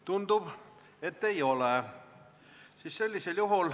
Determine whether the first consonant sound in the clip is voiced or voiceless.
voiceless